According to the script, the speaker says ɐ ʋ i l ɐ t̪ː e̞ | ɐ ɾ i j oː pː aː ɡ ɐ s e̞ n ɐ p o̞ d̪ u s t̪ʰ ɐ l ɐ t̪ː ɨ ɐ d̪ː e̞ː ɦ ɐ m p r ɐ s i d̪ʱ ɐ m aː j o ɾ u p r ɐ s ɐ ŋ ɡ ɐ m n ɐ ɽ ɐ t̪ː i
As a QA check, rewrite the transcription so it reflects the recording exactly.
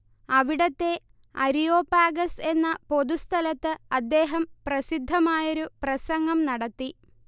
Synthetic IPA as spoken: ɐ ʋ i ɽ ɐ t̪ː e̞ | ɐ ɾ i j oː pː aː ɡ ɐ s e̞ nː ɐ p o̞ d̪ u s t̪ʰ ɐ l ɐ t̪ː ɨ ɐ d̪ː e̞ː ɦ ɐ m p r ɐ s i d̪ʱː ɐ m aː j o ɾ u p r ɐ s ɐ ŋ ɡ ɐ m n ɐ ɽ ɐ t̪ː i